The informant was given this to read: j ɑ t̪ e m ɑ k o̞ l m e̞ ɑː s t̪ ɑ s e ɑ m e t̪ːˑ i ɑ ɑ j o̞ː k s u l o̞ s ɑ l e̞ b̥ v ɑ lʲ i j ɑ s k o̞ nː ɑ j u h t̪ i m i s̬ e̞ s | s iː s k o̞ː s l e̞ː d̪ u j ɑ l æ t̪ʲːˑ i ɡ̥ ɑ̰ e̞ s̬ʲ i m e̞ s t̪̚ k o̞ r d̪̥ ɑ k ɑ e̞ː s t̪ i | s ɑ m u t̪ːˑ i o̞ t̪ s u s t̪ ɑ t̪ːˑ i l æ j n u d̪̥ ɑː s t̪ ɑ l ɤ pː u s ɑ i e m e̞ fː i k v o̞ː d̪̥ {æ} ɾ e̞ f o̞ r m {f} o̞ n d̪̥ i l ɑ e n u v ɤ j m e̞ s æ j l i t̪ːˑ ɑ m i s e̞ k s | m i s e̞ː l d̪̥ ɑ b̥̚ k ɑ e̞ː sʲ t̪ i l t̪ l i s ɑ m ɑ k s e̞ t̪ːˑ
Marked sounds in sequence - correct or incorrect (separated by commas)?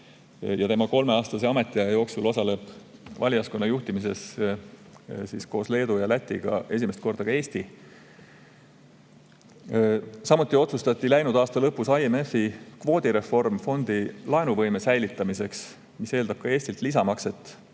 incorrect, correct